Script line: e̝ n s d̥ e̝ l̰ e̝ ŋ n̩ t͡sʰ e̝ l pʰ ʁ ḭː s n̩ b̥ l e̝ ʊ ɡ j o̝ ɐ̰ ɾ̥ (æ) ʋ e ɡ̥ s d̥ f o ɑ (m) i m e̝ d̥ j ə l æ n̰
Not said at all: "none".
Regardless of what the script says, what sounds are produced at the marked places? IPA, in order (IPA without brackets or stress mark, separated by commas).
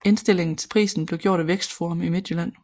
æ, m